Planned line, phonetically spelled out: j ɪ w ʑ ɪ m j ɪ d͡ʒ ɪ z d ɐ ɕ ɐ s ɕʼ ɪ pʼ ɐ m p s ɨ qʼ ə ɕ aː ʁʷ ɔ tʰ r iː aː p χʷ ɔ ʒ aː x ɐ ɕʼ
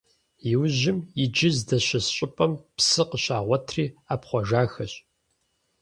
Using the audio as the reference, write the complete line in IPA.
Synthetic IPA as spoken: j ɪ w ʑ ɪ m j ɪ d͡ʒ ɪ z d ɐ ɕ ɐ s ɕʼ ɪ pʼ ɐ m p s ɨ q ə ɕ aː ʁʷ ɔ tʰ r iː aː p χʷ ɔ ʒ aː x ɐ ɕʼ